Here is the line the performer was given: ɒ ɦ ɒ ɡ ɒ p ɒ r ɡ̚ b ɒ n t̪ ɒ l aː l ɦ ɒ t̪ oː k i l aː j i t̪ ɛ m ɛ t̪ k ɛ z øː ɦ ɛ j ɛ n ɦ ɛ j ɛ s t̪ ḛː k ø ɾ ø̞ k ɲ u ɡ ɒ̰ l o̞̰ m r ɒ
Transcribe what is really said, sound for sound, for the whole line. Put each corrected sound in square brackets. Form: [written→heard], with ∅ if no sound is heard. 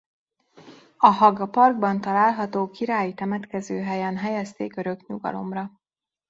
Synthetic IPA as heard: ɒ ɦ ɒ ɡ ɒ p ɒ r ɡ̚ b ɒ n t̪ ɒ l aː l ɦ ɒ t̪ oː k i [l→ɾ] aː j i t̪ ɛ m ɛ t̪ k ɛ z øː ɦ ɛ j ɛ n ɦ ɛ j ɛ s t̪ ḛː k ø ɾ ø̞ k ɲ u ɡ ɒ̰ l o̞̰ m r ɒ